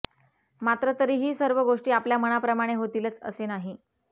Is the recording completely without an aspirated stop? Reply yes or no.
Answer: yes